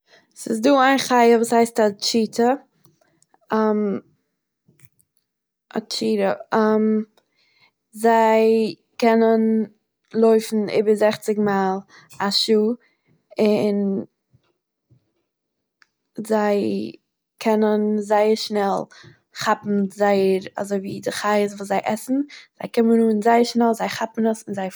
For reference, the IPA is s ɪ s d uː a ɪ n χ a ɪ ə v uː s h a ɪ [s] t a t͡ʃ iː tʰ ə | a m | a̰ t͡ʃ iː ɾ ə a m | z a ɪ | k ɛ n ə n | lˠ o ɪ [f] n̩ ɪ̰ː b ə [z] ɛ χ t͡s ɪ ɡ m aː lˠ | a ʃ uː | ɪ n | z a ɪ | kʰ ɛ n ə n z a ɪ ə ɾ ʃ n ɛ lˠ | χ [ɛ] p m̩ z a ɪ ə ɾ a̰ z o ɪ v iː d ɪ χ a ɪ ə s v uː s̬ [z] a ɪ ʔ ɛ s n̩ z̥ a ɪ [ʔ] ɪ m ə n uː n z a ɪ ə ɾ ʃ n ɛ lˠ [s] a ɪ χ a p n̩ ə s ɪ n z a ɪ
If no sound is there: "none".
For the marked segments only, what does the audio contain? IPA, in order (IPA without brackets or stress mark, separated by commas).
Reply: s, f, z, a, z, k, z